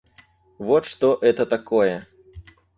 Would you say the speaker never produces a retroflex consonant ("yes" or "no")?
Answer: no